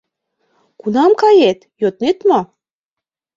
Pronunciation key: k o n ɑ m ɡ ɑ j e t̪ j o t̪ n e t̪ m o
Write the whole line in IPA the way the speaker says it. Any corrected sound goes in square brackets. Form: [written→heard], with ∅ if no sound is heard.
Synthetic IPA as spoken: k [o→u] n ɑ m [ɡ→k] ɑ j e t̪ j o t̪ n e t̪ m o